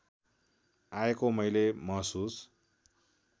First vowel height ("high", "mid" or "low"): low